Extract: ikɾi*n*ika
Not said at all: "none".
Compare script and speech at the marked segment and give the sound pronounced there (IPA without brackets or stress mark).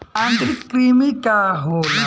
m